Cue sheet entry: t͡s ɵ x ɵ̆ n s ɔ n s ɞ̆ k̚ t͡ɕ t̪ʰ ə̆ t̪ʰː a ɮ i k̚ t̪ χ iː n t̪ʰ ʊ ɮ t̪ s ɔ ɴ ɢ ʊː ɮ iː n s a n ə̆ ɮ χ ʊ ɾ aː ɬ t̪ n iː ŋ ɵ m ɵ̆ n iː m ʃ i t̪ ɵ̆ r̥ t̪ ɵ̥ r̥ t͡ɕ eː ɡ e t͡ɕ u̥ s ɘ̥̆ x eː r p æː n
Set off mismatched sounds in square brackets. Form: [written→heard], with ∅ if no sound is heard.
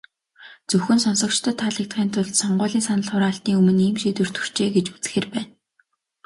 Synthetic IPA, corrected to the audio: t͡s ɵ x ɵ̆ n s ɔ n s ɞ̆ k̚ t͡ɕ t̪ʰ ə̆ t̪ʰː a ɮ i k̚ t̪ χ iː n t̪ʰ ʊ ɮ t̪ s ɔ ɴ ɢ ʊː ɮ iː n s a n ə̆ ɮ χ ʊ ɾ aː ɬ t̪ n iː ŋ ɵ m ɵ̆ n iː m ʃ i t̪ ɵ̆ r̥ t̪ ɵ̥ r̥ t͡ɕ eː ɡ e t͡ɕ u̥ [s→t͡s] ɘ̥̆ x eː r p æː n